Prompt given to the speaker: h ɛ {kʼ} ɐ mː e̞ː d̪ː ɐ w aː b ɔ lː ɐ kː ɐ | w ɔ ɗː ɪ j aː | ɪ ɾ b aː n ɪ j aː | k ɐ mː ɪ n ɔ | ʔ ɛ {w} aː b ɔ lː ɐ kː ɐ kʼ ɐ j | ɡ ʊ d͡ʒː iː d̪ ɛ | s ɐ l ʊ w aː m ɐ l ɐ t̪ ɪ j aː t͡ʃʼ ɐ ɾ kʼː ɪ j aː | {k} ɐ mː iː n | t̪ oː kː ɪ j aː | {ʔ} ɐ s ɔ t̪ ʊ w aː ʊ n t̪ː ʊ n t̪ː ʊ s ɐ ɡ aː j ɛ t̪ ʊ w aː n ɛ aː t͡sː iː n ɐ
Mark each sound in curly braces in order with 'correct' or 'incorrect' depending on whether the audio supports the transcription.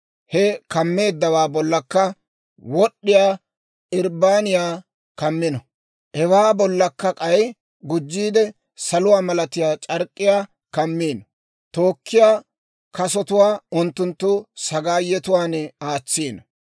incorrect: k, correct, correct, incorrect: k

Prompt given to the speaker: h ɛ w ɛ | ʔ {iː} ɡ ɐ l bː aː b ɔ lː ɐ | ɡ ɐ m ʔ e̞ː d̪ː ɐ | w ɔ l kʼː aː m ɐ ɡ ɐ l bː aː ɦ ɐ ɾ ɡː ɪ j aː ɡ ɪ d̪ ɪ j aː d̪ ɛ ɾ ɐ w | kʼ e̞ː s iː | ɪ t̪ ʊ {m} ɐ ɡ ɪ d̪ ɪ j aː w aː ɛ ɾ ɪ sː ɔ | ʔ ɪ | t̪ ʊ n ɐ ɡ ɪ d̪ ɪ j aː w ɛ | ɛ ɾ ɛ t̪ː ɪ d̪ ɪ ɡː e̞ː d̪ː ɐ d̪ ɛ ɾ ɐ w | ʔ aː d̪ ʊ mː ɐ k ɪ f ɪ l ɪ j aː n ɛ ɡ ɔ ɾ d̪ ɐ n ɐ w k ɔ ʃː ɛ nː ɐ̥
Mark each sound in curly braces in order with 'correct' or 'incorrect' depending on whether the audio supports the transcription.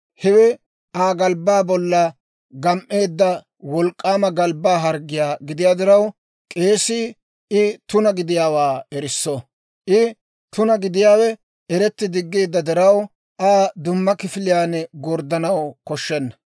incorrect: aː, incorrect: n

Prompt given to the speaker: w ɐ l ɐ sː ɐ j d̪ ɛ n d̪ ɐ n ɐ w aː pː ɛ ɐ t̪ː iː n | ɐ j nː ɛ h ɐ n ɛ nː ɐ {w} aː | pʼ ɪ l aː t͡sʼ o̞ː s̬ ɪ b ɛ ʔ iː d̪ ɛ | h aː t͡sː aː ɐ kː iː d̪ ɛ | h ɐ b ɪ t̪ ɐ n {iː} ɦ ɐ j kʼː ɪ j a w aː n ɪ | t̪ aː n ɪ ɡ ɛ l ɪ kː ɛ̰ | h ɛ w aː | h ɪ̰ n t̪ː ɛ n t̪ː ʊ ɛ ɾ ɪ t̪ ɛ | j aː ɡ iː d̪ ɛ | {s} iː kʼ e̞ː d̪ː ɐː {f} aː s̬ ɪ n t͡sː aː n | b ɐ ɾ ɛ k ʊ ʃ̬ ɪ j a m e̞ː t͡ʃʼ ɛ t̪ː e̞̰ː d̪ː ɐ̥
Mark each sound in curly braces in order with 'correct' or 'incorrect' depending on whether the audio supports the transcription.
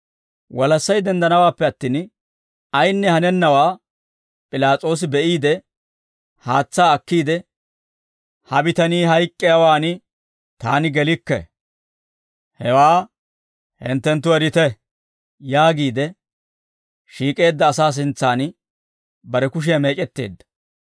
correct, correct, incorrect: ʃ, incorrect: s

